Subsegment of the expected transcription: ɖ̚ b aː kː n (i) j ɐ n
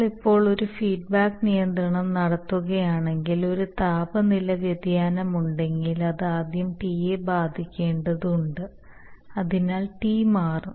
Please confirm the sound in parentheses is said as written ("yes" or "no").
yes